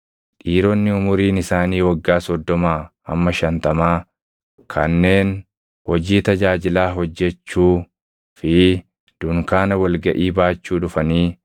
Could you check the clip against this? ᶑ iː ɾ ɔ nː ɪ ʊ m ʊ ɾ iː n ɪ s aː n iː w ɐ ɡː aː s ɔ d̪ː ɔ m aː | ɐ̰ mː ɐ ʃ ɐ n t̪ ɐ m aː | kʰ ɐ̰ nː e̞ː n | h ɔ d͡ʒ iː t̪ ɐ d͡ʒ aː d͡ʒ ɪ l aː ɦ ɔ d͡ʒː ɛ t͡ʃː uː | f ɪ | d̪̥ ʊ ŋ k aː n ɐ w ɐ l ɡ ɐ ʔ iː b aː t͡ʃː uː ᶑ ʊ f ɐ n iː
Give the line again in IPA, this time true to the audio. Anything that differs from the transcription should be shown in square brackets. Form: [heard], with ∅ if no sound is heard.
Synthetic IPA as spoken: ᶑ iː ɾ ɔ nː ɪ ʊ m ʊ ɾ iː n ɪ s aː n iː w ɐ ɡː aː s ɔ d̪ː ɔ m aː | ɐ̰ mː ɐ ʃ ɐ n t̪ ɐ m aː | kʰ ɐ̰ nː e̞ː n | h ɔ d͡ʒ iː t̪ ɐ d͡ʒ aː d͡ʒ ɪ l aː ɦ ɔ d͡ʒː ɛ t͡ʃː uː | f ɪ | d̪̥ ʊ ŋ k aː n ɐ w ɐ l ɡ ɐ ʔ iː b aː t͡ʃː uː ᶑ ʊ f ɐ n iː